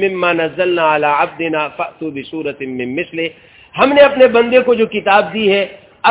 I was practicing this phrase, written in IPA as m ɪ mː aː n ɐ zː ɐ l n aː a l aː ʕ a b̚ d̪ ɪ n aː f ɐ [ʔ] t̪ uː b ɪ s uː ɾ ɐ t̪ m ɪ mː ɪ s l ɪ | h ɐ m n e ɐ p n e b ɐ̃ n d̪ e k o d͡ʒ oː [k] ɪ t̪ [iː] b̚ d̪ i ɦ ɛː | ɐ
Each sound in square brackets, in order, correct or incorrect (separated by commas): correct, correct, incorrect